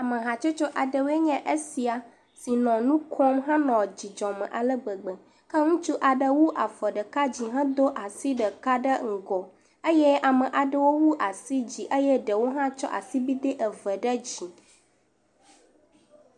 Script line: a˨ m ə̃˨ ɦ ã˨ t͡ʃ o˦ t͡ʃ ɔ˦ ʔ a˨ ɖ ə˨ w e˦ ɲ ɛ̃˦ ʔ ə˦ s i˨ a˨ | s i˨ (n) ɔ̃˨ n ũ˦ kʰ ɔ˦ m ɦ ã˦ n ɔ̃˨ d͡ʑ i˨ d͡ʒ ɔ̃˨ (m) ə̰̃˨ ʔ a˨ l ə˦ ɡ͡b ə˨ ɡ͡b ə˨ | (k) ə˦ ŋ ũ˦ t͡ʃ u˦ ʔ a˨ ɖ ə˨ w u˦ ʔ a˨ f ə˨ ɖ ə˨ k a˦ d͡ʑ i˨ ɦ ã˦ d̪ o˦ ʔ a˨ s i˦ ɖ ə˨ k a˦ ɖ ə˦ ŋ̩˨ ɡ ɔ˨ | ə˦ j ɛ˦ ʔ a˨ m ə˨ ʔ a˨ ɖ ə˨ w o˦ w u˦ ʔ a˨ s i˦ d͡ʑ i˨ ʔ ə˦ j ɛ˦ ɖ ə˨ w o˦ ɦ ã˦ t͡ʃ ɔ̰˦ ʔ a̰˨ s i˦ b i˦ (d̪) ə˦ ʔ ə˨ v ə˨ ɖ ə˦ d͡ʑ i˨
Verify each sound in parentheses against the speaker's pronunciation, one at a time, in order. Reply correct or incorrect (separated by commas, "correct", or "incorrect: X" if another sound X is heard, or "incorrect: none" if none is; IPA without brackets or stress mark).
correct, correct, correct, correct